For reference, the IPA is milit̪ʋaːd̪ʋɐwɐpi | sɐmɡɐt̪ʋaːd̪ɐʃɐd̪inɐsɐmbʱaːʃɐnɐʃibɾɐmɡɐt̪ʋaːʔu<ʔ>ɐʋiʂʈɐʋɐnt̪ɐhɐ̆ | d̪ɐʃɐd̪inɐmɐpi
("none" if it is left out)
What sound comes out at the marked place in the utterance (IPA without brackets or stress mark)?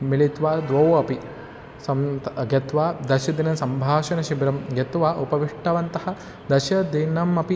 p